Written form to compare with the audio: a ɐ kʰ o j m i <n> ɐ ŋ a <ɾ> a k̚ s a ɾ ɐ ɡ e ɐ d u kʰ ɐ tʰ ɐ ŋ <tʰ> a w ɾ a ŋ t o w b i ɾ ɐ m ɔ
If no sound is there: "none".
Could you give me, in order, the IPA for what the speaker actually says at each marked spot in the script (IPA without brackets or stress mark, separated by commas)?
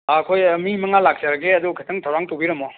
m, l, tʰ